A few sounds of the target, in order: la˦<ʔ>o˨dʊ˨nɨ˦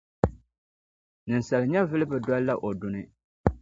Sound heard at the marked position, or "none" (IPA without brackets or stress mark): ʔ